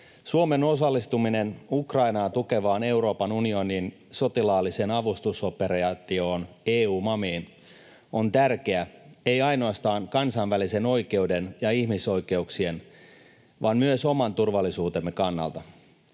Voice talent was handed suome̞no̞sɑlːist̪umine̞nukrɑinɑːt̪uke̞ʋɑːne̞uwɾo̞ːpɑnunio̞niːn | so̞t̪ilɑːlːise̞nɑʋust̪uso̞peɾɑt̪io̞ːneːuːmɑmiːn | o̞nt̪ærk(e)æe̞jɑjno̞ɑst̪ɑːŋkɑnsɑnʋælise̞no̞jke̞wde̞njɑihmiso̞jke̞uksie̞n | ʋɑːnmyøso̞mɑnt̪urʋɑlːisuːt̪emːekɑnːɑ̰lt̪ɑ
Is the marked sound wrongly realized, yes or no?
no